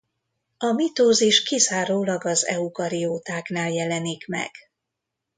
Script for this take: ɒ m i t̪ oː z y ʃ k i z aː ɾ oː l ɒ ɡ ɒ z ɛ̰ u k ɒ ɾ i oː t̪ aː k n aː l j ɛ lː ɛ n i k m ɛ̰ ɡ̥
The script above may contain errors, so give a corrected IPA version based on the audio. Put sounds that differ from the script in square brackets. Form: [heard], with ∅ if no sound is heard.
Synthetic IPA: ɒ m i t̪ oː z [i] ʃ k i z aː ɾ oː l ɒ ɡ ɒ z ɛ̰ u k ɒ ɾ i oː t̪ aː k n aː l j ɛ [l] ɛ n i k m ɛ̰ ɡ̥